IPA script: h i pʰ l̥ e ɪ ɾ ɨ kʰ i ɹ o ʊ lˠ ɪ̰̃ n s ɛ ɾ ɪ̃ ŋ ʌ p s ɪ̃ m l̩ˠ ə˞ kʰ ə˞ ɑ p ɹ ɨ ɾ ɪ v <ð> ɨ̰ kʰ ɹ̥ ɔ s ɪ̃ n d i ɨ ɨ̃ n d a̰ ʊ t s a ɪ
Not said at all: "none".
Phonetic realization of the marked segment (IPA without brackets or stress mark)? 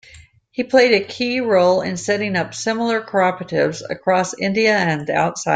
z